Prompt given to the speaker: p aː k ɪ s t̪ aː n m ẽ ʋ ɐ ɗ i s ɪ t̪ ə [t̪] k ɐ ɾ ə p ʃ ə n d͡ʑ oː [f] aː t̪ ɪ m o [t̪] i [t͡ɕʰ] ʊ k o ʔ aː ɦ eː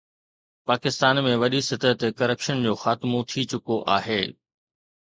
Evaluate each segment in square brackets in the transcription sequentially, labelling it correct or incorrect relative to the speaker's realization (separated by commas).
correct, incorrect, incorrect, incorrect